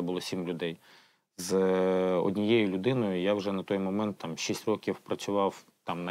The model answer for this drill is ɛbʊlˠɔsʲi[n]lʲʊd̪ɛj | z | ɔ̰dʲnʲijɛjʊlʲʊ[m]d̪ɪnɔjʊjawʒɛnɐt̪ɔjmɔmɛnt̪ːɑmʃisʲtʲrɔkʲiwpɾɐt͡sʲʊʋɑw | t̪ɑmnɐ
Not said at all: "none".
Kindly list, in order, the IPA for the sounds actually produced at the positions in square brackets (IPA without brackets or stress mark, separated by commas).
m, none